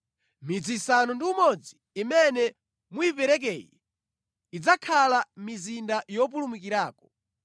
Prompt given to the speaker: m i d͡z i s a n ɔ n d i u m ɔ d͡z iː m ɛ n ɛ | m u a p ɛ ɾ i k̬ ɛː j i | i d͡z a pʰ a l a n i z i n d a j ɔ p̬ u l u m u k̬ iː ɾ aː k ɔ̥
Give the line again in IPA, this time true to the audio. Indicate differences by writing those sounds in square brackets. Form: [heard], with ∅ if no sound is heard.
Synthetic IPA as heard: m i d͡z i s a n ɔ n d i u m ɔ d͡z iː m ɛ n ɛ | m u [i] p ɛ ɾ [ɛ] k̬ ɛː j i | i d͡z a [kʰ] a l a [m] i z i n d a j ɔ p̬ u l u m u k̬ [i] ɾ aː k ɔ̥